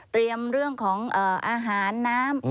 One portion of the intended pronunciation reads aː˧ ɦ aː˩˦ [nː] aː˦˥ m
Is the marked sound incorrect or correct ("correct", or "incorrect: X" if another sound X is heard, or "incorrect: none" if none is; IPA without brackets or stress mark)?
correct